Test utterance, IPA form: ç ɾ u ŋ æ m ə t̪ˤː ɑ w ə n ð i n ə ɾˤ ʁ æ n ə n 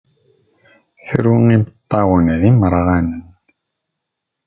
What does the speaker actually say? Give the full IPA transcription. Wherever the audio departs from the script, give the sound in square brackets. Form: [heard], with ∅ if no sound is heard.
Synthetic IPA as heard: ç ɾ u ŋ [i] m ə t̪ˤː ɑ w ə n ð i [m] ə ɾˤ ʁ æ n ə n